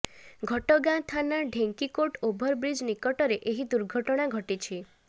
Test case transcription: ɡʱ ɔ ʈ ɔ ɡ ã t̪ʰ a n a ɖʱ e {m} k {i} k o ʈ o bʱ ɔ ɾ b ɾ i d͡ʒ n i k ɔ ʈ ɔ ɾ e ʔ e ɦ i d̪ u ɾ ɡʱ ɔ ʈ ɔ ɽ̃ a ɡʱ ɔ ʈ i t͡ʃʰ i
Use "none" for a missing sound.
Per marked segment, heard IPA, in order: ŋ, i

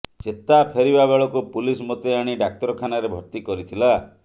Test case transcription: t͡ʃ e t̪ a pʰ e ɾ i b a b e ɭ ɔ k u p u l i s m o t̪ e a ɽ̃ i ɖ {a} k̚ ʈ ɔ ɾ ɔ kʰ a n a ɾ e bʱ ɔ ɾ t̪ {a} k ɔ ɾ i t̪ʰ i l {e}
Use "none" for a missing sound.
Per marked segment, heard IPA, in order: a, i, a

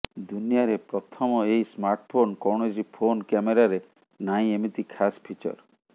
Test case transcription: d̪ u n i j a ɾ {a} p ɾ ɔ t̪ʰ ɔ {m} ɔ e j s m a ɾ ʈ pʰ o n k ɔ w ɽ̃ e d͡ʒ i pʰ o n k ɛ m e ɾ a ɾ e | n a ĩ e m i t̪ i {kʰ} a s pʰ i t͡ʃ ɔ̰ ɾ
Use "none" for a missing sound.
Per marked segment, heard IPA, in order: e, m, kʰ

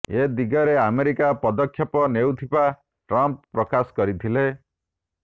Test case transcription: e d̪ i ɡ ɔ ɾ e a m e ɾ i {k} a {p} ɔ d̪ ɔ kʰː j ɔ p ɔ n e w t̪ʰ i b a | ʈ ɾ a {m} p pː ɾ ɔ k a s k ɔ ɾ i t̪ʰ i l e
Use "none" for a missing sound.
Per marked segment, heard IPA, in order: k, p, m

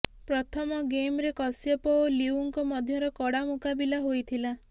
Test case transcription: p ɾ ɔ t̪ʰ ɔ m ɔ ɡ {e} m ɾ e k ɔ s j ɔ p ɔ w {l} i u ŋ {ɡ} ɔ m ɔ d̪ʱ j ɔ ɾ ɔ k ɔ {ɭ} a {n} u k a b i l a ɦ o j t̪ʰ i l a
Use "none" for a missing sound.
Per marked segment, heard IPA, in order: e, l, k, ɽ, m

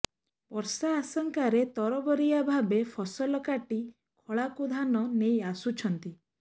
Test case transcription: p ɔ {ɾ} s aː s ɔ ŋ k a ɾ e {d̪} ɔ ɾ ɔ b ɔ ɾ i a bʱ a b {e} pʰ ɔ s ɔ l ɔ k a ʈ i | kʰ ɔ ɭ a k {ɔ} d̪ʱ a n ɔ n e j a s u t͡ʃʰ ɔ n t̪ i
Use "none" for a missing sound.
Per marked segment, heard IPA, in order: ɾ, t̪, e, u

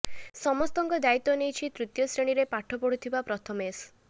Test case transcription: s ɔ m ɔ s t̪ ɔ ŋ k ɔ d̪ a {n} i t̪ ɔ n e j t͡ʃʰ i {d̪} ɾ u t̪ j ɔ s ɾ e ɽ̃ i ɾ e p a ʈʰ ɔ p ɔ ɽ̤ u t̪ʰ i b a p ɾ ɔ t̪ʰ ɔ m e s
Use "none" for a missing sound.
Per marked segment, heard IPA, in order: none, t̪

